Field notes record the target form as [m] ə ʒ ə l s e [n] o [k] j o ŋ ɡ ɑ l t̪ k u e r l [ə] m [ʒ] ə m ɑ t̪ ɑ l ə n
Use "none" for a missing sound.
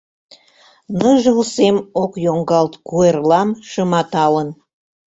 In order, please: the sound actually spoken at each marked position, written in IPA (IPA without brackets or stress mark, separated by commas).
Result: n, m, k, ɑ, ʃ